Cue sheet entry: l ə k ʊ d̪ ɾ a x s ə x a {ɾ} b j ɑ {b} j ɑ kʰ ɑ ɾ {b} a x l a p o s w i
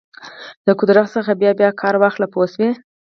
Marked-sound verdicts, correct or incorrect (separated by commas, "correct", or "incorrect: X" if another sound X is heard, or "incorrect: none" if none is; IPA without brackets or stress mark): incorrect: none, correct, incorrect: w